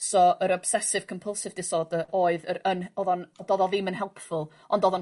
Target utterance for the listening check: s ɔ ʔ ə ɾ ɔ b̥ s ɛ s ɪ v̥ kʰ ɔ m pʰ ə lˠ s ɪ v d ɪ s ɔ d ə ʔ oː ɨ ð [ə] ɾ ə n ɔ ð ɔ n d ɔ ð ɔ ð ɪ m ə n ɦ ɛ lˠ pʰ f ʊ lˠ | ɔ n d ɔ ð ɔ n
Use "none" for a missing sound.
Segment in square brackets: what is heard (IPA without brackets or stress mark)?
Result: ə